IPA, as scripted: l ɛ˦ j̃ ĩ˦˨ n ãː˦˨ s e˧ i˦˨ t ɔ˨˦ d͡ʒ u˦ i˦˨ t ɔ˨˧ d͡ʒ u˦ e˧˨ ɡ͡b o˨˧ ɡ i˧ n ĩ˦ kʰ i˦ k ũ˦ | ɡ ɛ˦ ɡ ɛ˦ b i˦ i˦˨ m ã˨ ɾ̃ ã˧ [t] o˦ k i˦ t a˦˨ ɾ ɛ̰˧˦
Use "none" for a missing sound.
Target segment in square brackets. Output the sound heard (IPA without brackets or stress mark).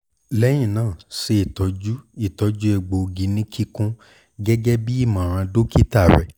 d